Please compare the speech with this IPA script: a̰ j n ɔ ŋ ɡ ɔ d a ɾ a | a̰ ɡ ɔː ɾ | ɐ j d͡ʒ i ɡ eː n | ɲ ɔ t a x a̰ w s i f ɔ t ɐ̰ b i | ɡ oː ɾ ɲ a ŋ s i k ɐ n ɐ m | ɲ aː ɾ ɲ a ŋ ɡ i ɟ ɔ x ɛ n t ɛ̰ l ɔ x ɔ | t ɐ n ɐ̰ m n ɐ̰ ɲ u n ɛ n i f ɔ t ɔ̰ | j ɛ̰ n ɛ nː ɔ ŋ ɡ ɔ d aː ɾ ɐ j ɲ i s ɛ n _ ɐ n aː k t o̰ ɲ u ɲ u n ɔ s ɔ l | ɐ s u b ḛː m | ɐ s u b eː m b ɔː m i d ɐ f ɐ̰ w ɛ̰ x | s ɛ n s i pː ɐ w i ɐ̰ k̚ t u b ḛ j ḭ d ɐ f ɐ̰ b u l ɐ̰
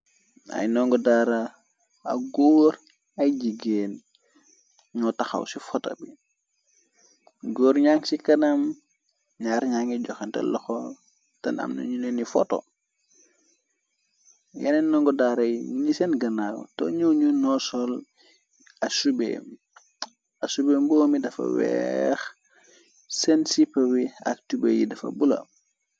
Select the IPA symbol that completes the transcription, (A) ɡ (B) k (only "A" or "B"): A